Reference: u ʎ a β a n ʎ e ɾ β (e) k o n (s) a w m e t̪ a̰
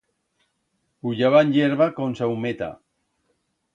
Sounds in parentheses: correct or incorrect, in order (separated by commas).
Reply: incorrect, correct